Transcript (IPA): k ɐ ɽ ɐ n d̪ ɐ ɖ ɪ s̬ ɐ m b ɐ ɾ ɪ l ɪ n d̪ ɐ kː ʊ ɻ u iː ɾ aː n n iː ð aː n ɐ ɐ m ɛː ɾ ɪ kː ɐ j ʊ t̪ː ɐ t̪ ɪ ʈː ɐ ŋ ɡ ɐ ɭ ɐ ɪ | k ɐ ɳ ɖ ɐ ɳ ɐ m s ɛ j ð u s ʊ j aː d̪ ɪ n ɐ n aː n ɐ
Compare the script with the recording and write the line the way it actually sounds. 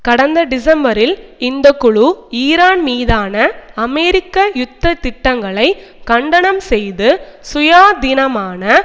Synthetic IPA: k ɐ ɽ ɐ n d̪ ɐ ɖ ɪ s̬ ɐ m b ɐ ɾ ɪ l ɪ n d̪ ɐ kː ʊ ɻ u iː ɾ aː n m iː ð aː n ɐ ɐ m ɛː ɾ ɪ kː ɐ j ʊ t̪ː ɐ t̪ ɪ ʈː ɐ ŋ ɡ ɐ ɭ ɐ ɪ | k ɐ ɳ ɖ ɐ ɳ ɐ m s ɛ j ð ɯ s ʊ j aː d̪ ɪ n ɐ m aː n ɐ